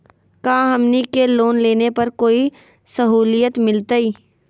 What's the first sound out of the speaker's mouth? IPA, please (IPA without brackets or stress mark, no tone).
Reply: k